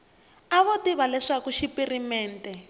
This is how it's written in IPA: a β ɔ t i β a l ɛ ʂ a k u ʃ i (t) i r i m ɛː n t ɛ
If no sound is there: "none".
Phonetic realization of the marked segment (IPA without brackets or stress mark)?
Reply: p